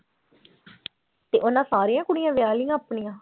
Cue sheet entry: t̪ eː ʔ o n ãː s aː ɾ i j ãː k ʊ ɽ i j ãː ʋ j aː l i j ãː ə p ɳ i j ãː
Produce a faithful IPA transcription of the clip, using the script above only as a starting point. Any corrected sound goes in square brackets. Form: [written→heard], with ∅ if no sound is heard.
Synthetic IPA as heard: t̪ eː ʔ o n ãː s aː ɾ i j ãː k ʊ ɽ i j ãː ʋ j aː l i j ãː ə p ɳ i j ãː